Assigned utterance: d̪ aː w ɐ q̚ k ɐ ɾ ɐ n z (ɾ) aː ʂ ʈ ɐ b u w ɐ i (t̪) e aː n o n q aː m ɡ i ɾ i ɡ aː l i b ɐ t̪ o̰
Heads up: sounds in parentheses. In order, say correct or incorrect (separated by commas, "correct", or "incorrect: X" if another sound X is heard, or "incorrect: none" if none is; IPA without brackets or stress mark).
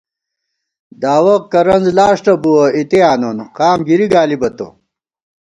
incorrect: l, correct